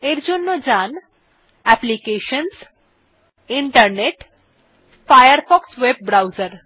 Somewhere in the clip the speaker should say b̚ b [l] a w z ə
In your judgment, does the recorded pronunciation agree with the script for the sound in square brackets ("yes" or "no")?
no